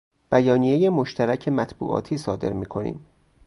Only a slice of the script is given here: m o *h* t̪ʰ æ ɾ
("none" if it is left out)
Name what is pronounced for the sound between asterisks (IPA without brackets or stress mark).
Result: ʃ